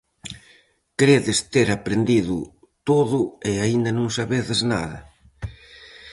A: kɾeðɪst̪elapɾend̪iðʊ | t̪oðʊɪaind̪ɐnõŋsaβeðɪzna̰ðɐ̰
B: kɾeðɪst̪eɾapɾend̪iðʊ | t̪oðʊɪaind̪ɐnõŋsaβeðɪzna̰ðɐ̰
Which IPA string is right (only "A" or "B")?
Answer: B